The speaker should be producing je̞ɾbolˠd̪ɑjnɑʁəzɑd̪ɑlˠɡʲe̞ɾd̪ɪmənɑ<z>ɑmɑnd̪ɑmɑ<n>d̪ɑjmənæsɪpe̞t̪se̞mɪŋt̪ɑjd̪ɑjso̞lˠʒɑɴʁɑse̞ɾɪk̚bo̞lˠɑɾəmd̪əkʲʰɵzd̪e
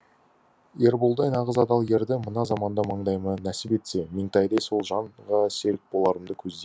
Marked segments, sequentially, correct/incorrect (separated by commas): correct, incorrect